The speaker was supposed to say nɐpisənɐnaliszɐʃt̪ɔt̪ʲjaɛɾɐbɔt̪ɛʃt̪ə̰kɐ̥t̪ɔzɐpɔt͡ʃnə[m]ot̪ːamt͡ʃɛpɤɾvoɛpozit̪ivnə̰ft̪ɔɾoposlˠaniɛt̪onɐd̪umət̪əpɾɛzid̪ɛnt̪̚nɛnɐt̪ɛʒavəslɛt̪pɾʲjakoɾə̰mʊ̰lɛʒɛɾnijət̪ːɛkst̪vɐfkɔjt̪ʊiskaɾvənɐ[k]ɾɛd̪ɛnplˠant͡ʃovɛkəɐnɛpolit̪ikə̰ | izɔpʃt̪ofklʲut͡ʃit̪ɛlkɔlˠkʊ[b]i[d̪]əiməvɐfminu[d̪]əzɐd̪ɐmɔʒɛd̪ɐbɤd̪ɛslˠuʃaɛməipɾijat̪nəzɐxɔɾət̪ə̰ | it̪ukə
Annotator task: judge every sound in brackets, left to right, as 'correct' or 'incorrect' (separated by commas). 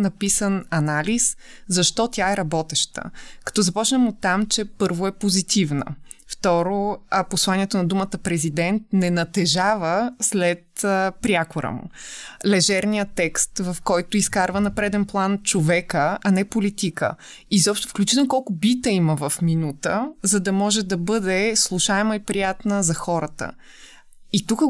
correct, incorrect, correct, incorrect, incorrect